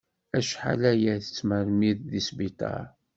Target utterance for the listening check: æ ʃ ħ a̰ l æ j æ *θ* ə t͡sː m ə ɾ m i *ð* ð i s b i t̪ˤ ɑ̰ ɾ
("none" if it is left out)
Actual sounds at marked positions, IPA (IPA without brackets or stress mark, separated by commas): θ, ð